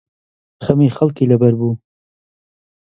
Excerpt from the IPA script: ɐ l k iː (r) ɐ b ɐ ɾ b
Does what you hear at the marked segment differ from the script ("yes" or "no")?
yes